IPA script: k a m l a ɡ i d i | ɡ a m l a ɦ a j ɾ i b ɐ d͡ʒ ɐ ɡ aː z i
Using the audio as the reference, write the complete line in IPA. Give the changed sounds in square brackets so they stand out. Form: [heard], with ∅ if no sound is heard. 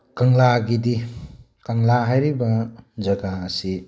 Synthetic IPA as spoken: k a [ŋ] l a ɡ i d i | [k] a [ŋ] l a ɦ a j ɾ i b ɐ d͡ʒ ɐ ɡ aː [s] i